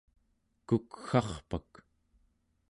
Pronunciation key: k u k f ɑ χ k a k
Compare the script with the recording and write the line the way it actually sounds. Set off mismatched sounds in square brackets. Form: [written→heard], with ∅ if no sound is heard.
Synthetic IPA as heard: k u k [f→x] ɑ χ [k→p] a k

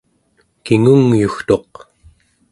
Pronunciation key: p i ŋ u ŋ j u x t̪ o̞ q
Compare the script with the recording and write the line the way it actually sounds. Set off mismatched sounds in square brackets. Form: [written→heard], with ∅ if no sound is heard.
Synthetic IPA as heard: [p→k] i ŋ u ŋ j u x t̪ o̞ q

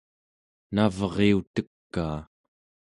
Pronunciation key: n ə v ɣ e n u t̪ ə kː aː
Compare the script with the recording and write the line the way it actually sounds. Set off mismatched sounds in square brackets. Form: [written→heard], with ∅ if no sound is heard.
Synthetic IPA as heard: n [ə→a] v [ɣ→ʁ] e [n→∅] u t̪ ə kː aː

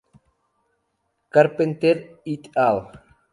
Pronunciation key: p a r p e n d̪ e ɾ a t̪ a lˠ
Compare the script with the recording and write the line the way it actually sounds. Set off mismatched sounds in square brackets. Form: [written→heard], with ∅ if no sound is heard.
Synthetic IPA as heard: [p→k] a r p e n [d̪→t̪] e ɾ [a→i] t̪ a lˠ

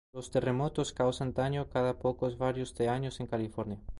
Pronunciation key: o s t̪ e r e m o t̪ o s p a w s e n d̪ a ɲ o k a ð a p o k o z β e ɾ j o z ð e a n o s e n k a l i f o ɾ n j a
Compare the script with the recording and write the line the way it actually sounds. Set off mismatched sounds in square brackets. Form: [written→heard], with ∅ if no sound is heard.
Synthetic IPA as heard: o s t̪ e r e m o t̪ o s [p→k] a w s [e→a] n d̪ a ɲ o k a ð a p o k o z β [e→a] ɾ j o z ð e a [n→ɲ] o s e [n→ŋ] k a l i f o ɾ n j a

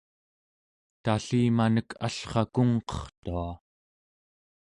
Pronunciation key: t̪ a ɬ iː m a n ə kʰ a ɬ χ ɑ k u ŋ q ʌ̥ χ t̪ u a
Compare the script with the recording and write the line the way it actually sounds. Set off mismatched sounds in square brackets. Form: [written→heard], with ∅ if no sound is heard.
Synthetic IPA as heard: t̪ a ɬ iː m a n ə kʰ a ɬ χ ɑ k u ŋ q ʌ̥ χ t̪ u a

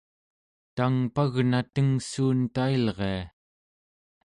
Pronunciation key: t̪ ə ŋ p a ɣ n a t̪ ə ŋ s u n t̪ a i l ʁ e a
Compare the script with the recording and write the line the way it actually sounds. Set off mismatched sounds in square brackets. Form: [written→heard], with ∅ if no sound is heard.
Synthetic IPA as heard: t̪ [ə→a] ŋ p a ɣ n a t̪ ə ŋ s [u→uː] n t̪ a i l ʁ e a

